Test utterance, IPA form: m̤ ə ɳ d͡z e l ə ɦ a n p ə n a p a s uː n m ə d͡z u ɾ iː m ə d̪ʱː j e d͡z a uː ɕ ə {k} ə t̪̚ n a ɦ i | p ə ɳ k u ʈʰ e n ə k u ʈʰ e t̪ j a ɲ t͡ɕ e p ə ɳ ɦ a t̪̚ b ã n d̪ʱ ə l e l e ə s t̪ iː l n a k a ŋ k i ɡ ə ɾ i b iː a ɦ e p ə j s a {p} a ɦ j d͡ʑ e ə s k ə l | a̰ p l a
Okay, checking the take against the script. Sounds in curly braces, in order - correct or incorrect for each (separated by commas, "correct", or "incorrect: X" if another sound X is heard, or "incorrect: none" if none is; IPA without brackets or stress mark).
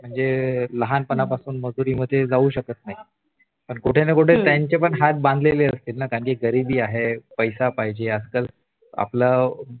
correct, correct